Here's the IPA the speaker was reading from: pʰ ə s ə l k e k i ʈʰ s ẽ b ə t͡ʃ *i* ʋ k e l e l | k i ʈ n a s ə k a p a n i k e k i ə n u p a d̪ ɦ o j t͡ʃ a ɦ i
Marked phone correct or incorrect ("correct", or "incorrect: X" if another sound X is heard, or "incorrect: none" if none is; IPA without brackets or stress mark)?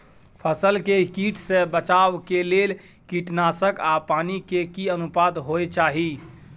incorrect: a